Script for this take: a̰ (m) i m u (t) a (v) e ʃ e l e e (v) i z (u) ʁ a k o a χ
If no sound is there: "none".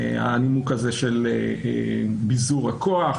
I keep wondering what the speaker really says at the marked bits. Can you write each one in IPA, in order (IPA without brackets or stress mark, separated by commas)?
n, k, z, b, u